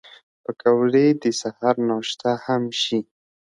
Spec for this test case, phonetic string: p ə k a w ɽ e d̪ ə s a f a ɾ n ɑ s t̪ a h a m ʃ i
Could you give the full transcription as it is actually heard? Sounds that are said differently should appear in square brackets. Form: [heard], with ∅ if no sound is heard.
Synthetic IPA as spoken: p ə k a w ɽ e d̪ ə s a [h] a ɾ n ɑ [ʃ] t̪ a h a m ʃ i

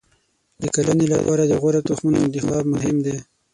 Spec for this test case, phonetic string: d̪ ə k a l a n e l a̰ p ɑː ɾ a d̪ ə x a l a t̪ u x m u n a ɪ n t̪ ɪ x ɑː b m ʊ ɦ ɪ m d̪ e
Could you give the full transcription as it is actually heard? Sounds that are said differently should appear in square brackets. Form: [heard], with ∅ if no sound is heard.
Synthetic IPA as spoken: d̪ ə k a l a n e l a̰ p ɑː ɾ a d̪ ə [ɣ] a [ɾ] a t̪ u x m u n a ɪ n t̪ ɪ x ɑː b m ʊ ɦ ɪ m d̪ e

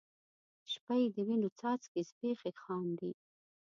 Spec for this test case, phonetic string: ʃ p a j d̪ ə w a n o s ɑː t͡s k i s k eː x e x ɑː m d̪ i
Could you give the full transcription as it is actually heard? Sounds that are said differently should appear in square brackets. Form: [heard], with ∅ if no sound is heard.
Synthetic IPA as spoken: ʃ p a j d̪ ə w [i] n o [t͡s] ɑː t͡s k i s [p] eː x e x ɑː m d̪ i

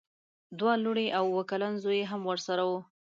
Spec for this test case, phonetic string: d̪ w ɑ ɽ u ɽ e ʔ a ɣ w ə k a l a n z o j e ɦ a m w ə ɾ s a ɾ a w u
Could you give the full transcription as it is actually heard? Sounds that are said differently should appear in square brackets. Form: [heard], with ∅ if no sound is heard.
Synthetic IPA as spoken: d̪ w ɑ [l] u ɽ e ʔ a [w] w ə k a l a n z o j e ɦ a m w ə ɾ s a ɾ a w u

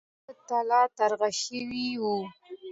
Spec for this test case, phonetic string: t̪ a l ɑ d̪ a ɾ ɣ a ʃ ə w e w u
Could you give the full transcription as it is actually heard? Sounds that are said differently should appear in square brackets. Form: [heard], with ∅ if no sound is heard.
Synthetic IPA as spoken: t̪ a l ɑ [t̪] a ɾ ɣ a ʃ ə w [i] w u

